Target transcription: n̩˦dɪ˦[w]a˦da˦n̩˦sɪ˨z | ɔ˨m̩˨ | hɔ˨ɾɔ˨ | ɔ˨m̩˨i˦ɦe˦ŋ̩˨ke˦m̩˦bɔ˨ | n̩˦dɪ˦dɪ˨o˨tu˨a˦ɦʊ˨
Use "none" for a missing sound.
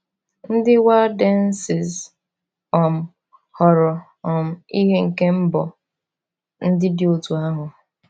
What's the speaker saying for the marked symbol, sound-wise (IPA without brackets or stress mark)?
w